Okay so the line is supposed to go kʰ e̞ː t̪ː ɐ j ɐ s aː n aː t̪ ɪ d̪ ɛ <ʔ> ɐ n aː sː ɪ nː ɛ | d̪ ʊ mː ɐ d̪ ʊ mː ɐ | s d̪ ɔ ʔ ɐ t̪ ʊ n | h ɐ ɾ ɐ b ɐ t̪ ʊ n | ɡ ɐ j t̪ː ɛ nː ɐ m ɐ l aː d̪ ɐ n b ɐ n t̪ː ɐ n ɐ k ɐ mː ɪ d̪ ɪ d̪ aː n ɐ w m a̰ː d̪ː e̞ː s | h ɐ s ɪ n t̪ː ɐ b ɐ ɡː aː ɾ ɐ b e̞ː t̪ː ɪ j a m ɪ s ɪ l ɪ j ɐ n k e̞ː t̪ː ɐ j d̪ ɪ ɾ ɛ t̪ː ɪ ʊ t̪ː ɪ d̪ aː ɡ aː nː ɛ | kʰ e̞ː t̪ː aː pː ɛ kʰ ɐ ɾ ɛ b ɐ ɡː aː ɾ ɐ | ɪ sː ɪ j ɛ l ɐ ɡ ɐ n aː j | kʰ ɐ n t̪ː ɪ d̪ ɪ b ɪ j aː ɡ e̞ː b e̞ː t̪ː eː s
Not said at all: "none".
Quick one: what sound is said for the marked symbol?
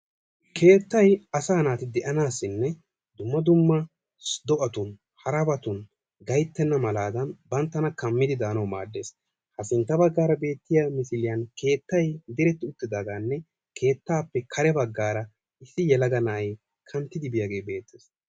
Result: ʔ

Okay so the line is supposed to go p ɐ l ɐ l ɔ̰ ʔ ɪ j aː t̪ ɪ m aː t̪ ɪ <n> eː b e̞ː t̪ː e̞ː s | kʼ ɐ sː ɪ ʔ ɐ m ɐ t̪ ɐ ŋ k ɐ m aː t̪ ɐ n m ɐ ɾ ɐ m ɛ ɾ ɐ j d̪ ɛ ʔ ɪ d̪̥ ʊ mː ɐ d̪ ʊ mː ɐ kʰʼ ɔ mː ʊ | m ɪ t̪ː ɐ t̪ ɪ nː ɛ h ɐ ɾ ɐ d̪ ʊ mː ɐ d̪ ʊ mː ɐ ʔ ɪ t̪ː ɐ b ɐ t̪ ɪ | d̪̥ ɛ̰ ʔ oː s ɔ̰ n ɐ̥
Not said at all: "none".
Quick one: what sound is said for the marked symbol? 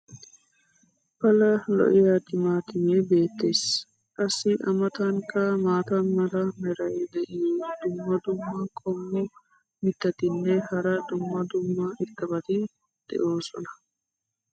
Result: m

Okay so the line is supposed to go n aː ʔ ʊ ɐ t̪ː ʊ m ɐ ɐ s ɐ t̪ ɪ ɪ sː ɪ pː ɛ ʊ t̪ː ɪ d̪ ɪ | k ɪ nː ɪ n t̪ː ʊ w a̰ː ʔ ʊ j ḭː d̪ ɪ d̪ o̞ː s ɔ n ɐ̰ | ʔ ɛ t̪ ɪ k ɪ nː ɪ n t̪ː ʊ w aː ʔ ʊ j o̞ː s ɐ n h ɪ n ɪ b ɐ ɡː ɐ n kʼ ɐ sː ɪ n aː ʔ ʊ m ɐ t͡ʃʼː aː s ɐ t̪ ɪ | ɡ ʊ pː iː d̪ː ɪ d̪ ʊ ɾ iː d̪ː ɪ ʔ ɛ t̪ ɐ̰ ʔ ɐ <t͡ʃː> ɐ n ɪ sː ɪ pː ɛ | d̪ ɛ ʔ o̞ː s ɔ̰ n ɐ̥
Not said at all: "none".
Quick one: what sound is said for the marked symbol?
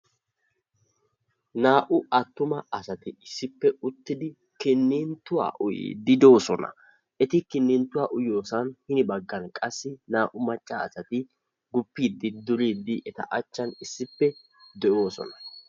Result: t͡ʃː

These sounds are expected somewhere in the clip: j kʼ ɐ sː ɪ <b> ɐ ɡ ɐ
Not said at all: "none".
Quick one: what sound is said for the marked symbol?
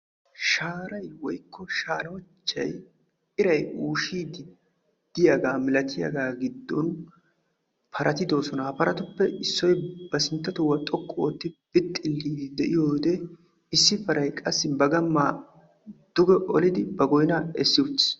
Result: b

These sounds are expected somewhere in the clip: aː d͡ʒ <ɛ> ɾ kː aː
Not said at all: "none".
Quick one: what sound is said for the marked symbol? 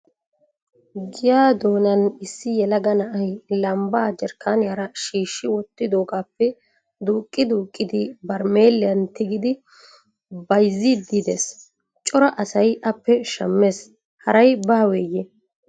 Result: ɛ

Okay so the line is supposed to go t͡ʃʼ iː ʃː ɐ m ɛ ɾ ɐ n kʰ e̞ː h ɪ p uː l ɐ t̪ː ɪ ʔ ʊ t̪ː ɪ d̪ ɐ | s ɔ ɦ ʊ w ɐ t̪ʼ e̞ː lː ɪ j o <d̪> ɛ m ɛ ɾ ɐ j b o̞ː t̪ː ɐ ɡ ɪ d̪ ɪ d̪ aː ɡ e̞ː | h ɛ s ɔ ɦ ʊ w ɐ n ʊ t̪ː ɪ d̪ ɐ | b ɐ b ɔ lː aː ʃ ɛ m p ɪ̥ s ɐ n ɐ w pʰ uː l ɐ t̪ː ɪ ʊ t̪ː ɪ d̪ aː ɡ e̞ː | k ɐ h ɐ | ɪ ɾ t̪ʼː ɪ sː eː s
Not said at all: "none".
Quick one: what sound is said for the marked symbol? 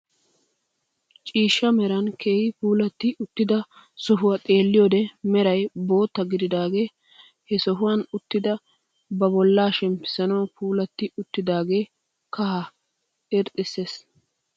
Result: d̪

